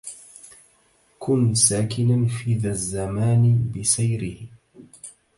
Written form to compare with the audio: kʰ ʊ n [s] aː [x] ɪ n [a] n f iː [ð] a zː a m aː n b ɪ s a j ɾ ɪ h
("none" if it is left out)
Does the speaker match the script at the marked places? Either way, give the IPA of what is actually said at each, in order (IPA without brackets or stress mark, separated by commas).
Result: s, k, a, ð